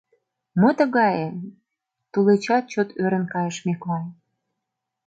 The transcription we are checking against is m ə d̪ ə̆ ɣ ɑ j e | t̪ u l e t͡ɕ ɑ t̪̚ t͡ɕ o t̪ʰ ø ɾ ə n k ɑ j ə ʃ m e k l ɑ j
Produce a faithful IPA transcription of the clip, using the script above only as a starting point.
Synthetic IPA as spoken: m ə t̪ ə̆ ɣ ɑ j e | t̪ u l e t͡ɕ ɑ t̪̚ t͡ɕ o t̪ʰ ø ɾ ə n k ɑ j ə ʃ m e k l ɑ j